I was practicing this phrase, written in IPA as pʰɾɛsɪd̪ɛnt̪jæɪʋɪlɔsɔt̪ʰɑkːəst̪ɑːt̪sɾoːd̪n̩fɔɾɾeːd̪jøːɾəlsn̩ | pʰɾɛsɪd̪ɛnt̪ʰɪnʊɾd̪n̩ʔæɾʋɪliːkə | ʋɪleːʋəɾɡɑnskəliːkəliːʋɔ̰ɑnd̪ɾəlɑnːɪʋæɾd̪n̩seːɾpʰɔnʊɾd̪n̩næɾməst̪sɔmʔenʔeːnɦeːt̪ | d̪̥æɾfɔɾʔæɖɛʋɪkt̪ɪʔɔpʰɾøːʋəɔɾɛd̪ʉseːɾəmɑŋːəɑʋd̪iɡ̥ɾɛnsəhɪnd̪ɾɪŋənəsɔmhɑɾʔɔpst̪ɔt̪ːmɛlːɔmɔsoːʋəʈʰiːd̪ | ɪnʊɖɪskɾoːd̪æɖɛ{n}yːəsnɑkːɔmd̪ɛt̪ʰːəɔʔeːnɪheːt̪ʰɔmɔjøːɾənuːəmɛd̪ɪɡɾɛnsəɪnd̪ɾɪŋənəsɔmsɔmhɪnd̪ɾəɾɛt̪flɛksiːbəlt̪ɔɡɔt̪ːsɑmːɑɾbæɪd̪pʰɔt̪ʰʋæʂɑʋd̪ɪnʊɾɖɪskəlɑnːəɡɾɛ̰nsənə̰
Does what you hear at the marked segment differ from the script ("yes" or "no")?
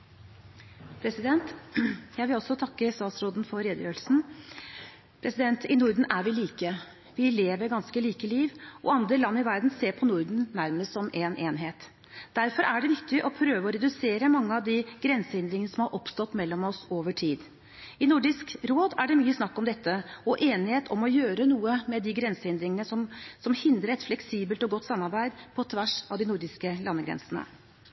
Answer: yes